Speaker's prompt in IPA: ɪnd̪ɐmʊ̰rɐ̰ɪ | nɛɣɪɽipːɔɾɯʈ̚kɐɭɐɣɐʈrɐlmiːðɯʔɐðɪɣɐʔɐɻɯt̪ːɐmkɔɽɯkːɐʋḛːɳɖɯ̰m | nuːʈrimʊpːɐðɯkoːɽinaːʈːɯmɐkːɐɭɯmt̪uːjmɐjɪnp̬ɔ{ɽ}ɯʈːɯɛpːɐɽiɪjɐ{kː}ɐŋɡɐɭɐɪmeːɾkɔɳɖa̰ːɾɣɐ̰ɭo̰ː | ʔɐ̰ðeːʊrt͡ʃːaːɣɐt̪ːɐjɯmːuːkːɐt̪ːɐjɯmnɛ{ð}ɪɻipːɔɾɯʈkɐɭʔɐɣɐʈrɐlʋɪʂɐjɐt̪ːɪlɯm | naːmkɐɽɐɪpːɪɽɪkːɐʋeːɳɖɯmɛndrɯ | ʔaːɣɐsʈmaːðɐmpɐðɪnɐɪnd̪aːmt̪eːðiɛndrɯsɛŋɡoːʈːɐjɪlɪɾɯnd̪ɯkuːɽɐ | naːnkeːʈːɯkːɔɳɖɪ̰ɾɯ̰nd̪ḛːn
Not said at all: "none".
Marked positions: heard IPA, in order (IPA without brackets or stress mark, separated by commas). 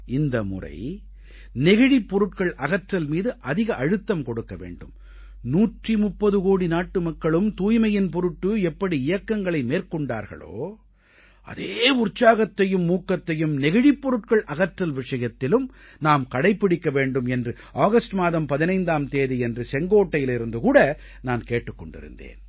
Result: ɾ, kː, ɣ